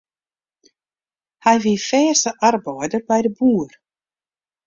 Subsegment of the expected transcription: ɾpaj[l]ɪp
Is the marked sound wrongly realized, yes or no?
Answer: yes